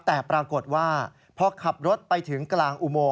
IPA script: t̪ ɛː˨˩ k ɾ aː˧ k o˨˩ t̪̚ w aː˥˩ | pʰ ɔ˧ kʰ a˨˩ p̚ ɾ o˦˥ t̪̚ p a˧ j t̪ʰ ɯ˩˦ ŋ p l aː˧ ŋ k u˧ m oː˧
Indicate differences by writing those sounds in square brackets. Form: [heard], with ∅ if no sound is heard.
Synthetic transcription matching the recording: t̪ ɛː˨˩ [p] ɾ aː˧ k o˨˩ t̪̚ w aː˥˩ | pʰ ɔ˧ kʰ a˨˩ p̚ ɾ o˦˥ t̪̚ p a˧ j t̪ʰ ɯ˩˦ ŋ [k] l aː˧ ŋ [ʔ] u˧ m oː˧